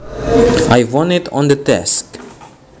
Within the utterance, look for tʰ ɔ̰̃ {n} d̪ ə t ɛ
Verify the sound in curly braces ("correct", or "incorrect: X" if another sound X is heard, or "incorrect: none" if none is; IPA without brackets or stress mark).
correct